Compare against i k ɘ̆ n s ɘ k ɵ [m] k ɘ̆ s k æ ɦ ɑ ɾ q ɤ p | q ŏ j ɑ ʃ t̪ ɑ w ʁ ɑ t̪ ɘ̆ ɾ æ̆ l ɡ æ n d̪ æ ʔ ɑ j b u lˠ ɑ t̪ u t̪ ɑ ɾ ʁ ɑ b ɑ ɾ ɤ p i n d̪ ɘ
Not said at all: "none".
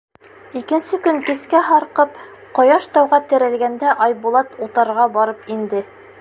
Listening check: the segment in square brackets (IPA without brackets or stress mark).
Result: ŋ